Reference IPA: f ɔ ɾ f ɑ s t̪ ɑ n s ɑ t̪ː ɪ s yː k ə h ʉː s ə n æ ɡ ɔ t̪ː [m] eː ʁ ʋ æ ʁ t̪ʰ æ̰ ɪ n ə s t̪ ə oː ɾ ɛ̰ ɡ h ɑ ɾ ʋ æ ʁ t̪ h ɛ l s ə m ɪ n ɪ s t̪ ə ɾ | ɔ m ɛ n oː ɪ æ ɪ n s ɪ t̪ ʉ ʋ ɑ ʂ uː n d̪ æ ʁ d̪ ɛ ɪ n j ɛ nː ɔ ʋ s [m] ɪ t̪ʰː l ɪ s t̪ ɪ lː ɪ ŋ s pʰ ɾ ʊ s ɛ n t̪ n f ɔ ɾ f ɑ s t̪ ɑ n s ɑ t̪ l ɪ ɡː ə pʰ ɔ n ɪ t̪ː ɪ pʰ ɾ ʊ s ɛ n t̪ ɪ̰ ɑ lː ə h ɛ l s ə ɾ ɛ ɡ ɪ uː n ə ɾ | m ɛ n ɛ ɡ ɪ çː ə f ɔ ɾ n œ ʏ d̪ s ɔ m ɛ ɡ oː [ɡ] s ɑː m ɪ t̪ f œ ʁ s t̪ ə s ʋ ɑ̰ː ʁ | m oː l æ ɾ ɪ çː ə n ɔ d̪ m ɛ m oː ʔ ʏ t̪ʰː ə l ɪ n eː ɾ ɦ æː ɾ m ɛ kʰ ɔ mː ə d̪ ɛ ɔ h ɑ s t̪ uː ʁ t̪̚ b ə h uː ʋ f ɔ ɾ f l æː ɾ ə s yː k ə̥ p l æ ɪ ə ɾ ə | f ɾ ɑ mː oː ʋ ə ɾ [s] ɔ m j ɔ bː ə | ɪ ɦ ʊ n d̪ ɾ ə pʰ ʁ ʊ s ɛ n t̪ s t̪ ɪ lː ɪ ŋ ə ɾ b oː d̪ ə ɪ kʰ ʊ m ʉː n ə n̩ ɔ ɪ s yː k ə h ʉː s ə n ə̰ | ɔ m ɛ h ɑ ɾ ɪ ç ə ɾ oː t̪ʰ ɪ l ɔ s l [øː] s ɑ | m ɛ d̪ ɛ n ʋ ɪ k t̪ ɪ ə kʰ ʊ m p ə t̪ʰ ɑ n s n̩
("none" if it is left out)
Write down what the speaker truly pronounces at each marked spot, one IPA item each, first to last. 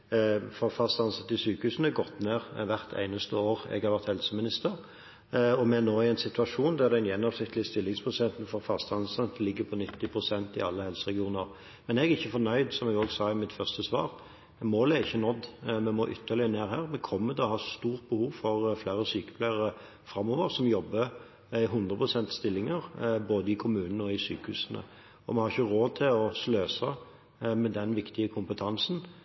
n, n, ɡ, s, øː

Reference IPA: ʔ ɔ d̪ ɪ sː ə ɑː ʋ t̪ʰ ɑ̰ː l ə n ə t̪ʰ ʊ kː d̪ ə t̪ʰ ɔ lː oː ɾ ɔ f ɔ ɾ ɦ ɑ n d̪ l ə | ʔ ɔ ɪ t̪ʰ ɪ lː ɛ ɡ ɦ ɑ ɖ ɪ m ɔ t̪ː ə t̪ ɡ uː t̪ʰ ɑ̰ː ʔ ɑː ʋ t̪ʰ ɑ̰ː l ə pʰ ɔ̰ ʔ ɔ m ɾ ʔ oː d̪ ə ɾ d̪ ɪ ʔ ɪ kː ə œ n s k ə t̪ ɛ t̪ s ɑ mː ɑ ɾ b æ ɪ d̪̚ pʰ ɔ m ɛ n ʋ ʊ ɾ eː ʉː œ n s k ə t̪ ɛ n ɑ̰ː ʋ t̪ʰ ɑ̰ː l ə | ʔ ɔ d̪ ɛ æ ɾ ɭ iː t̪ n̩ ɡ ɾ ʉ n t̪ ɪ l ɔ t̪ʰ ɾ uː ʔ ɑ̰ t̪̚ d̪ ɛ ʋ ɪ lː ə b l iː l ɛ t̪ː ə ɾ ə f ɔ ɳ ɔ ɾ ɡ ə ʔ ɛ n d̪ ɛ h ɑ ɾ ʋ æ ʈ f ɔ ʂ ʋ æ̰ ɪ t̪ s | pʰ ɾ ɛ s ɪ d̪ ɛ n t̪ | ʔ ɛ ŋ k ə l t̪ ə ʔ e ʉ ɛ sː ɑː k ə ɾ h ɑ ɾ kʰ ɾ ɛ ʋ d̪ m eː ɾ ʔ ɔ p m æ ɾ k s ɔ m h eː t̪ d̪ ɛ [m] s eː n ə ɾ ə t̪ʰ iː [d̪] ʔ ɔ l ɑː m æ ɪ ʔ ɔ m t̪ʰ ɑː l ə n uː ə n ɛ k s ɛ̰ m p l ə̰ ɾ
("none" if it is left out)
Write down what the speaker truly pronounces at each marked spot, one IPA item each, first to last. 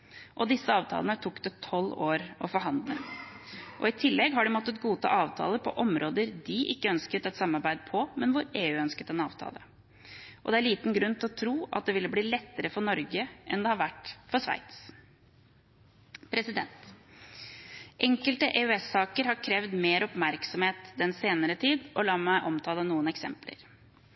n, d̪

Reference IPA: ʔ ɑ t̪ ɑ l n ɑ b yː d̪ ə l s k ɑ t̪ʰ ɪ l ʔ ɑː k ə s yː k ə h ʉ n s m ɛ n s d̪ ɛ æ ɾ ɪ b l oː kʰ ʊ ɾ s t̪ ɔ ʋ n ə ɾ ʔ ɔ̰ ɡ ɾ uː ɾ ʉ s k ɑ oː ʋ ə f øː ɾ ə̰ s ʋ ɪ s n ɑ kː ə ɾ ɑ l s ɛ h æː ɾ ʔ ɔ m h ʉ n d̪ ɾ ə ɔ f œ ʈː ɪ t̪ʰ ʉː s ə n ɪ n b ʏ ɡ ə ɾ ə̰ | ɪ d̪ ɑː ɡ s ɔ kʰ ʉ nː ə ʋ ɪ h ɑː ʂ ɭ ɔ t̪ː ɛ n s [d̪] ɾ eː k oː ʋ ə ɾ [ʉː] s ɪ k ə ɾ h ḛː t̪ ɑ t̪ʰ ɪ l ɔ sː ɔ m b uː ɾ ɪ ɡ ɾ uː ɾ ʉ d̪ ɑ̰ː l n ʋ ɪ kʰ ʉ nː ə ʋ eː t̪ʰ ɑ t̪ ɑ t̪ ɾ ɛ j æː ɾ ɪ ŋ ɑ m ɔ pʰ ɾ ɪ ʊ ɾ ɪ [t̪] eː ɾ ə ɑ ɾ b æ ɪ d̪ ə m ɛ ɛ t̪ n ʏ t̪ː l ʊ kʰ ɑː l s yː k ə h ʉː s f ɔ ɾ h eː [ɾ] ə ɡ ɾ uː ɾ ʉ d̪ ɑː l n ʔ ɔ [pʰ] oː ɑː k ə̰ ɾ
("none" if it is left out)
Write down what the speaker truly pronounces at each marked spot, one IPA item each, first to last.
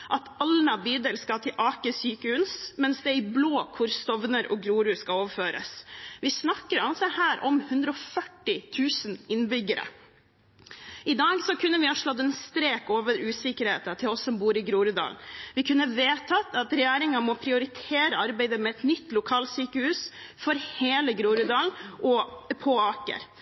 t̪, ʉː, t̪ʰ, l, pʰ

